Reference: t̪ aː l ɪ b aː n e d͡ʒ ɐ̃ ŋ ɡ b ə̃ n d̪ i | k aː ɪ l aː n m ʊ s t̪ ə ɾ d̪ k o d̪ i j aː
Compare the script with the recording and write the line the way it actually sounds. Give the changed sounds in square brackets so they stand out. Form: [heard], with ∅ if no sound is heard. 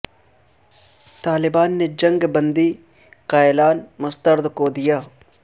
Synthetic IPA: t̪ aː l ɪ b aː [nː] e d͡ʒ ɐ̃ ŋ ɡ b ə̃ n d̪ i | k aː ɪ l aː n m ʊ s t̪ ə ɾ d̪ k o d̪ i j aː